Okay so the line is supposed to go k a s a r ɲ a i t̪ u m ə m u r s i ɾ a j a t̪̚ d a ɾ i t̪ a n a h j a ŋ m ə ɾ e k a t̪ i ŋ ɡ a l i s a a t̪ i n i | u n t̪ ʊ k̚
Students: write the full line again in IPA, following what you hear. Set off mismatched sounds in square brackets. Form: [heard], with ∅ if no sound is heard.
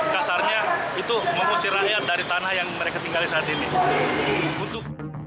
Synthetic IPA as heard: k a s a r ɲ a i t̪ u m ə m u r s i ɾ a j a t̪̚ d a ɾ i t̪ a n a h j a ŋ m ə ɾ e k a t̪ i ŋ ɡ a l i s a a t̪ i n i | u n t̪ ʊ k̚